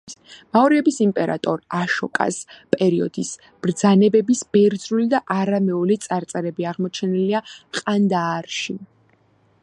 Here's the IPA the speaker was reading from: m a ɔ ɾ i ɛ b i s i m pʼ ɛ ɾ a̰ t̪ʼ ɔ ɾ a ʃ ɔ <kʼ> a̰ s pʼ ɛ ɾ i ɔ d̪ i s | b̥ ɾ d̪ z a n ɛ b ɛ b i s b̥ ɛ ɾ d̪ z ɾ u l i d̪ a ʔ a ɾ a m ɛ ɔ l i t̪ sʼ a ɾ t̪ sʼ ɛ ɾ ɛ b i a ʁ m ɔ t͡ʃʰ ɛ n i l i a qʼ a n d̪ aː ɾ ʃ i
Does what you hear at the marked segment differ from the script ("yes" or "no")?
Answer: no